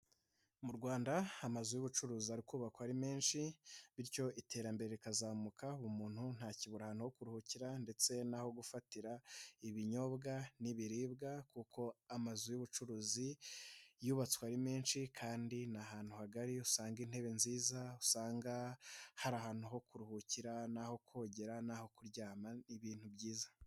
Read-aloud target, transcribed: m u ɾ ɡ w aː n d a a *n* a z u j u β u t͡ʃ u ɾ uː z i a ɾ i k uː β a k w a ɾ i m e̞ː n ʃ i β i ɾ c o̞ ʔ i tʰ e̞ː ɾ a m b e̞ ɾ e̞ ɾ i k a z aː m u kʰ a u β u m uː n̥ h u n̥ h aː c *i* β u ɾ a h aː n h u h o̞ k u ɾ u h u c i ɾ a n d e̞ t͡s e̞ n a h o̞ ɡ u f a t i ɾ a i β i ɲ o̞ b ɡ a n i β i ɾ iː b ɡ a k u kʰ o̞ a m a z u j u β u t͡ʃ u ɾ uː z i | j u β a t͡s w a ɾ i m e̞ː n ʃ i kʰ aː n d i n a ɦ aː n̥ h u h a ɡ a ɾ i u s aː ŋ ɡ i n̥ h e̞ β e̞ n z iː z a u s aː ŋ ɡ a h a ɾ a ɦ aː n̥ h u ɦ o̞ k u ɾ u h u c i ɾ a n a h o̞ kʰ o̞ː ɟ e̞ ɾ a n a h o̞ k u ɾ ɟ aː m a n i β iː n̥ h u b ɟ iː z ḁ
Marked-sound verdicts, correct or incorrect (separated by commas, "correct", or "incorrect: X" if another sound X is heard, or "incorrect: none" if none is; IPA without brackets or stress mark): incorrect: m, correct